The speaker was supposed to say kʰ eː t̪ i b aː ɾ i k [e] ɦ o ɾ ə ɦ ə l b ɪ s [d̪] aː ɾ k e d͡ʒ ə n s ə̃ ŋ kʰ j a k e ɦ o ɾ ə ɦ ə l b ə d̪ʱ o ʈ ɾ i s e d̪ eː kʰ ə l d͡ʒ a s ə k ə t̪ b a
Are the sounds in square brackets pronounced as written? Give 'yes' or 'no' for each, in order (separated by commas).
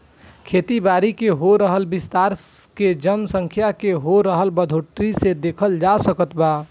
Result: yes, no